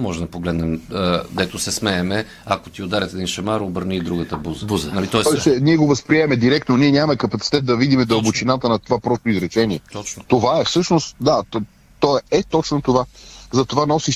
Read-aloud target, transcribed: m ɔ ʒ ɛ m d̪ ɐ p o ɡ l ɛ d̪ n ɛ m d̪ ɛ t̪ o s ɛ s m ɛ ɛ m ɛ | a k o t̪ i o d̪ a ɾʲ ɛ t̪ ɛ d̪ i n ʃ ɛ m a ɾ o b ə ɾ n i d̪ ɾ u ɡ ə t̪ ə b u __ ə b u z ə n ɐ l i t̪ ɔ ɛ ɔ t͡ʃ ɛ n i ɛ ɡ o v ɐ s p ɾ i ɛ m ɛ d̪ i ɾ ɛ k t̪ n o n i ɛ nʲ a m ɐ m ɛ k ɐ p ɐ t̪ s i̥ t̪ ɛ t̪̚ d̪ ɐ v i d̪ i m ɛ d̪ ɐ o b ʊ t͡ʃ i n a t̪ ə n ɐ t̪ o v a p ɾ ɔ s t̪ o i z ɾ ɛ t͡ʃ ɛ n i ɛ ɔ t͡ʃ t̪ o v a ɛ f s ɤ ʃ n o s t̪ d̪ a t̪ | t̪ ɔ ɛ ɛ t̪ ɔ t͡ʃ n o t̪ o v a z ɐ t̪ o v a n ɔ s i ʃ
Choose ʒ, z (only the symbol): z